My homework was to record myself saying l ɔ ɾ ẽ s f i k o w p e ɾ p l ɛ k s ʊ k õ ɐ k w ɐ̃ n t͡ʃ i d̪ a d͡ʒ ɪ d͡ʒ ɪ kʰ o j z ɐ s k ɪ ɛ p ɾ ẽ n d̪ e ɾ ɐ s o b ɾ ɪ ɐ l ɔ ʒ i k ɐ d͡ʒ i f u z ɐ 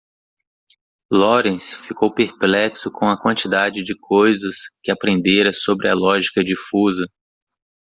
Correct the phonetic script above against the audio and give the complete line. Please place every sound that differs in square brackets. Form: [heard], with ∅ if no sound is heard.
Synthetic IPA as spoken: l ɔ ɾ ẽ s f i k o w p e ɾ p l ɛ k s ʊ k õ ɐ k w ɐ̃ n t͡ʃ i d̪ a d͡ʒ ɪ d͡ʒ ɪ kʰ o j z ɐ s k ɪ [a] p ɾ ẽ n d̪ e ɾ ɐ s o b ɾ ɪ ɐ l ɔ ʒ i k ɐ d͡ʒ i f u z ɐ